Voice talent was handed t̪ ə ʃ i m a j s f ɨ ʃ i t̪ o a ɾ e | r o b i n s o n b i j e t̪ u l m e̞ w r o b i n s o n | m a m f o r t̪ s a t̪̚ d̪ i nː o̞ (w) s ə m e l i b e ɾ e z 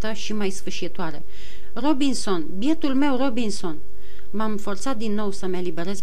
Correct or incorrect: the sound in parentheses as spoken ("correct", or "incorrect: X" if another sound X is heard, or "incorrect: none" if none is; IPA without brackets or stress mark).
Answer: correct